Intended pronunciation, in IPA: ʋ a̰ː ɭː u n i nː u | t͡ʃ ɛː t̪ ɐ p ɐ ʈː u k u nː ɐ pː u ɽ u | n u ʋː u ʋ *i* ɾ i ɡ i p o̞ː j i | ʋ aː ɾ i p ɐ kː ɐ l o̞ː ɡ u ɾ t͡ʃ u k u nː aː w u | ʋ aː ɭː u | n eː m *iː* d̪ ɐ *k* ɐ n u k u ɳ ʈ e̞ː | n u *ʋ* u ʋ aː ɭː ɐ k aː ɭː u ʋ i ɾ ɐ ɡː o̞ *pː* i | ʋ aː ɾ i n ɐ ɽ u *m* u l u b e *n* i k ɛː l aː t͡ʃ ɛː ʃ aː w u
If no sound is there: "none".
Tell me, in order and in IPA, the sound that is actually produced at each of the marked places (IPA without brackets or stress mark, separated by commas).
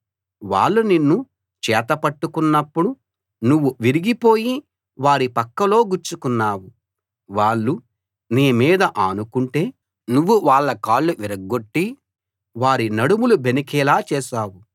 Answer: i, iː, ʔ, ʋː, ʈː, m, n